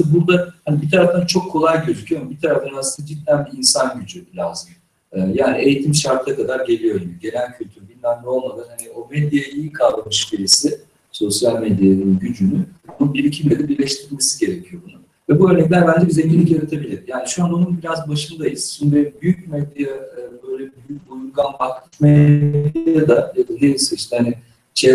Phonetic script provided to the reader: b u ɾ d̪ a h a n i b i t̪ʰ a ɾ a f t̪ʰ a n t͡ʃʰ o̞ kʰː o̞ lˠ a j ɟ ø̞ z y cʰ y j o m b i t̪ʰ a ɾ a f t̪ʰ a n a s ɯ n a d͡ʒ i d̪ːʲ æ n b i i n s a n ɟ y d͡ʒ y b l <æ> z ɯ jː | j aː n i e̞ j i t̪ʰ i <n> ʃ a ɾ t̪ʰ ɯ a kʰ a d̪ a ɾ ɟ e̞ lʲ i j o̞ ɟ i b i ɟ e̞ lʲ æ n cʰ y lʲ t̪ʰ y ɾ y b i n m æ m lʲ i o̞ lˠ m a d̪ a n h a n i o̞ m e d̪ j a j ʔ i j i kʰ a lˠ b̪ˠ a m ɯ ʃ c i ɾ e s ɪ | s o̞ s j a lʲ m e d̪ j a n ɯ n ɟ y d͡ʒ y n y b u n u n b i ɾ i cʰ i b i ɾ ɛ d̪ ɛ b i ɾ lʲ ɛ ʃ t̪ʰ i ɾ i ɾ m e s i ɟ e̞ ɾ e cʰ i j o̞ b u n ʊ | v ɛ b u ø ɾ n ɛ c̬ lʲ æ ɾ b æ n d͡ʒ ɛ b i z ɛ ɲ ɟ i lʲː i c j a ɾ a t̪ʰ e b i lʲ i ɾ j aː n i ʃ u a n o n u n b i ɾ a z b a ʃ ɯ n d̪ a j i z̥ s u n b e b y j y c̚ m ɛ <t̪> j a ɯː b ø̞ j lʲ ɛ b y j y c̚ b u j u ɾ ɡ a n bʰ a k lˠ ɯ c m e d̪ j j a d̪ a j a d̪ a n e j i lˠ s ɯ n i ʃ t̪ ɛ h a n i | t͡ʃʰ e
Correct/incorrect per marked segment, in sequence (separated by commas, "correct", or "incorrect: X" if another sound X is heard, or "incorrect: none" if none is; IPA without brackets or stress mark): incorrect: a, incorrect: m, incorrect: d̪